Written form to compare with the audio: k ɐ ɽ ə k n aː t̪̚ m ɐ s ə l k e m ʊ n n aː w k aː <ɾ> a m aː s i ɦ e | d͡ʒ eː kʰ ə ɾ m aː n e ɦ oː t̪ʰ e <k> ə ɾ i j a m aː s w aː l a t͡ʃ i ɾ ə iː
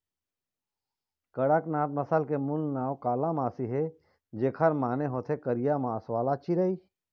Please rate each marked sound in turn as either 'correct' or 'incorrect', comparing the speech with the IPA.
incorrect: l, correct

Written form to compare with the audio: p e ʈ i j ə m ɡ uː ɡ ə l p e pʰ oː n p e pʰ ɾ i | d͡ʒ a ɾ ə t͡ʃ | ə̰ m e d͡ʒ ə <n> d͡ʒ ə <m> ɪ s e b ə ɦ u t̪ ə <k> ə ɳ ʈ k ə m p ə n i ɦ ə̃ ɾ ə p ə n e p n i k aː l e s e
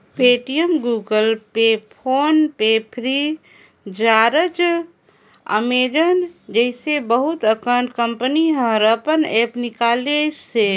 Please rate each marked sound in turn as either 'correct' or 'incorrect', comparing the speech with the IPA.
correct, incorrect: none, correct

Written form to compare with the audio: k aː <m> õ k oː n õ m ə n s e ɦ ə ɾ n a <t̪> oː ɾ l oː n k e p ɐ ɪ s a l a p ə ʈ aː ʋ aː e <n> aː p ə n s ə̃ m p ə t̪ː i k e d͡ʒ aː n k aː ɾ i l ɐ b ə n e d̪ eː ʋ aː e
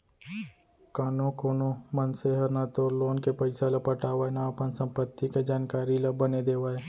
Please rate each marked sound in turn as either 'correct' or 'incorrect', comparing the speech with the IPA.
incorrect: n, correct, correct

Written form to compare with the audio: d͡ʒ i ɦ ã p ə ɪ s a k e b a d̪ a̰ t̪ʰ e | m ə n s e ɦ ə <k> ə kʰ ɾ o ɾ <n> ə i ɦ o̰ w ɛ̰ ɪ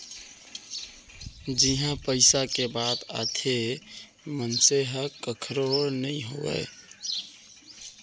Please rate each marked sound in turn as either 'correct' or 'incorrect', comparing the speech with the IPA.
correct, correct

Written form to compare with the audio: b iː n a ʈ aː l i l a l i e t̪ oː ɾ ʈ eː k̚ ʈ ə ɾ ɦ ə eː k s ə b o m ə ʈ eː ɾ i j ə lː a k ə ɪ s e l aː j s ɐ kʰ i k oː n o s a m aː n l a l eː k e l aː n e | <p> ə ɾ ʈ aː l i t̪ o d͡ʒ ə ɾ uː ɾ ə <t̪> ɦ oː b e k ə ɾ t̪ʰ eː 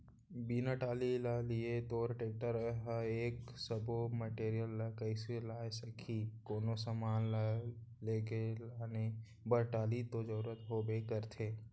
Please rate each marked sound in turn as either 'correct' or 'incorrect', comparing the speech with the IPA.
incorrect: b, correct

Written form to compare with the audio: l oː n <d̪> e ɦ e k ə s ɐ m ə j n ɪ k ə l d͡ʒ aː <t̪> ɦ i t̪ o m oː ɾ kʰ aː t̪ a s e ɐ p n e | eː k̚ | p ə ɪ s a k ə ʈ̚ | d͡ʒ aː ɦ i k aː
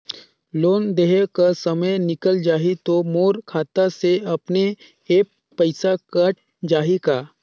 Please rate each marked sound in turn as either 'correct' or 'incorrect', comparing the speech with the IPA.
correct, incorrect: none

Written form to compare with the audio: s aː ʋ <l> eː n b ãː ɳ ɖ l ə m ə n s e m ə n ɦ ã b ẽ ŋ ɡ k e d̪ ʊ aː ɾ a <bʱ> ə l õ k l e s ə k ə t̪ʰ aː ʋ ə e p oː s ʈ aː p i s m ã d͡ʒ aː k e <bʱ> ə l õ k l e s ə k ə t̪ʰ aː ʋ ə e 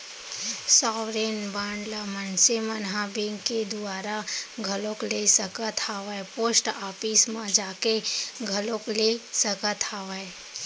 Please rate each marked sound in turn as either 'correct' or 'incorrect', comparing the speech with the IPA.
incorrect: ɾ, incorrect: ɡʱ, incorrect: ɡʱ

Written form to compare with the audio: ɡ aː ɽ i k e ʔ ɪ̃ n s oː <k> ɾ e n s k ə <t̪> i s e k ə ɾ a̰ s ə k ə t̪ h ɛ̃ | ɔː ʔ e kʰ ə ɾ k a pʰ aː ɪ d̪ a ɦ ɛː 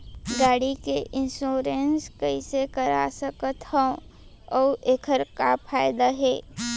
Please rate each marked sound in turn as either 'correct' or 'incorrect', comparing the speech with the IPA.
incorrect: none, incorrect: none

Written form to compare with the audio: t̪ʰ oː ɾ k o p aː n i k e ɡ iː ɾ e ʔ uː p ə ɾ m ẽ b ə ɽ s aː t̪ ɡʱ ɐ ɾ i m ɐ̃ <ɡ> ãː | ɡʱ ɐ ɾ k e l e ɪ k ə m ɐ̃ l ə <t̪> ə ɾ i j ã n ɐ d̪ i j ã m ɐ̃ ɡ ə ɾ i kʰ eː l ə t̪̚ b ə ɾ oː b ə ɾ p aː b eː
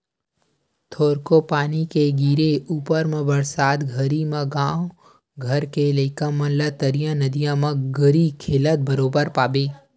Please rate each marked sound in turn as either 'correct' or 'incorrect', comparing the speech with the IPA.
correct, correct

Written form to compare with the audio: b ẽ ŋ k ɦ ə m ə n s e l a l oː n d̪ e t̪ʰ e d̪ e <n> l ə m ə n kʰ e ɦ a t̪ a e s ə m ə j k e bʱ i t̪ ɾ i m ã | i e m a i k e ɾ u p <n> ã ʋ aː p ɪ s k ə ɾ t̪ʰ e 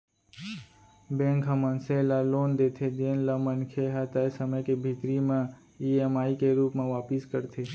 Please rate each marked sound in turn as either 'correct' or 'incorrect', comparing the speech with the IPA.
correct, incorrect: m

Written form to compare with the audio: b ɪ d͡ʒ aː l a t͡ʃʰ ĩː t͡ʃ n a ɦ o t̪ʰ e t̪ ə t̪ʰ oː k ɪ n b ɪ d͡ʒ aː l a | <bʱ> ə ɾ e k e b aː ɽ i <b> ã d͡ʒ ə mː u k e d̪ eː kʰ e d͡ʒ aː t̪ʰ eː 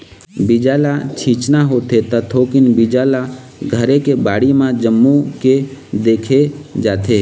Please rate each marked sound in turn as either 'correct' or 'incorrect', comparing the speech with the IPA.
incorrect: ɡʱ, incorrect: m

